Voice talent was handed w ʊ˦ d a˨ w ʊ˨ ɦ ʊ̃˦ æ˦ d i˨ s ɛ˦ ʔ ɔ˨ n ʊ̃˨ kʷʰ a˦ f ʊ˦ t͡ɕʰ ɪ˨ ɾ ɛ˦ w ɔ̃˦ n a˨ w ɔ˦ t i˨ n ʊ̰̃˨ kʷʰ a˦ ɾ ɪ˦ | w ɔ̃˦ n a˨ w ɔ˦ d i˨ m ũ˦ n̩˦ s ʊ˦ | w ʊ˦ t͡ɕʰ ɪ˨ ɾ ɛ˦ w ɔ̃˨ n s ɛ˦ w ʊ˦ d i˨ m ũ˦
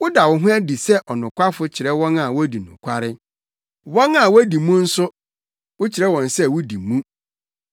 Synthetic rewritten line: w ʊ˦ d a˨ w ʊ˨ ɦ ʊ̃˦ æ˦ d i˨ s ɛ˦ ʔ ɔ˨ n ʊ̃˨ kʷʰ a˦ f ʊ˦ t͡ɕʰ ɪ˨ ɾ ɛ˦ w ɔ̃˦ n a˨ w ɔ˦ d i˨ n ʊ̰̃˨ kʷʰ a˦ ɾ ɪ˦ | w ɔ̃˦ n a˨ w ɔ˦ d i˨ m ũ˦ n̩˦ s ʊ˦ | w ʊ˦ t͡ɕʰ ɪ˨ ɾ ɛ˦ w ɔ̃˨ n s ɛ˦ w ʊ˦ d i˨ m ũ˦